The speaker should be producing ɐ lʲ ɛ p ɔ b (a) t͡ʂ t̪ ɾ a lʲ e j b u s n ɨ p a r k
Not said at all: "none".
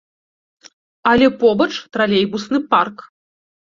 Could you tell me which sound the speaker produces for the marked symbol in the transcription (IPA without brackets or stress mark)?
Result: ɐ